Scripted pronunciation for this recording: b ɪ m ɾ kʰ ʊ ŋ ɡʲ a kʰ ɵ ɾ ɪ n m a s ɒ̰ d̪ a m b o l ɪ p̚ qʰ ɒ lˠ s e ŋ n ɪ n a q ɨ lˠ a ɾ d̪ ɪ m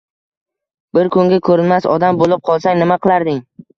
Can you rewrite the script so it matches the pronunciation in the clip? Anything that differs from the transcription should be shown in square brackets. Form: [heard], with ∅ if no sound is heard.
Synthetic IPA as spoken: b ɪ [∅] ɾ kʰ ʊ ŋ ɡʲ a kʰ ɵ ɾ ɪ n m a s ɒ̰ d̪ a m b o l ɪ p̚ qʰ ɒ lˠ s [a] ŋ n ɪ [m] a q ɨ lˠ a ɾ d̪ ɪ [ŋ]